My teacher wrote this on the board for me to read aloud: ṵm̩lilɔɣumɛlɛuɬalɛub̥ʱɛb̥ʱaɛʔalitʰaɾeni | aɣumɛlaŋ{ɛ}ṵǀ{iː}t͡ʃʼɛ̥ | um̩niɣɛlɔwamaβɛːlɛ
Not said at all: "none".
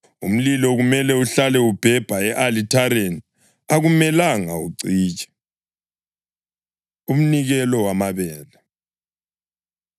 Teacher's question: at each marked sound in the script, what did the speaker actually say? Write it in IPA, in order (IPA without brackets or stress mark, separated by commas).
a, iː